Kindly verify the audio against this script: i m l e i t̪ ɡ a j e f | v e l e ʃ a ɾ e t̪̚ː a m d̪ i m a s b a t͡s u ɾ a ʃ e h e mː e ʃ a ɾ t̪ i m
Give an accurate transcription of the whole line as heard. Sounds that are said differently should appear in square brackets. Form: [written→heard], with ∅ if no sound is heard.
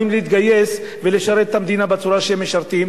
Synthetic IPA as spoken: i m l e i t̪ ɡ a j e [f→s] | v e l e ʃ a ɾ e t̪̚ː a m d̪ i [m→n] a [s→∅] b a t͡s u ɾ a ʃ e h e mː e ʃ a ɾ t̪ i m